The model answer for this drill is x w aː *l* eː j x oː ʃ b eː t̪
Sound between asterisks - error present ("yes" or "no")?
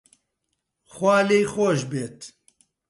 no